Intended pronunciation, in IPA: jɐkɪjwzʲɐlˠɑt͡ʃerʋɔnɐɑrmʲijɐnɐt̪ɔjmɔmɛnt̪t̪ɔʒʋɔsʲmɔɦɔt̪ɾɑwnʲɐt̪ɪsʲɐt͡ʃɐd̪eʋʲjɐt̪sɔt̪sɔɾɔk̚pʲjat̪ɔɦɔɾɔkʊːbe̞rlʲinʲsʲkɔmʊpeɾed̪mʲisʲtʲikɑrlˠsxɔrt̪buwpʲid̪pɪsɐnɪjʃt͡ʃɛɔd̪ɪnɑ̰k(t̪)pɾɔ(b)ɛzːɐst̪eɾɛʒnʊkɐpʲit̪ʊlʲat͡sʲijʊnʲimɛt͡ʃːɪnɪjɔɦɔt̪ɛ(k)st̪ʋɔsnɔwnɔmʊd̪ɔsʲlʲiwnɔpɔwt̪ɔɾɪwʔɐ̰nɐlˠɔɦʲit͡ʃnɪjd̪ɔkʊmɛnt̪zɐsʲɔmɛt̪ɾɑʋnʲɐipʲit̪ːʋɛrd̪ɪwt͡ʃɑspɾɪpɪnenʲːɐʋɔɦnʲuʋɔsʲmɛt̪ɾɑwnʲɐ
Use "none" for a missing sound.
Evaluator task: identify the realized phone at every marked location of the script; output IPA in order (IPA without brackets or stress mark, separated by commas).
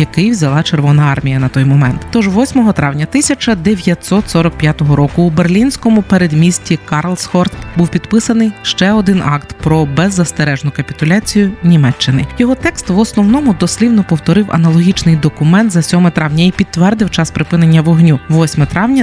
t̪, b, k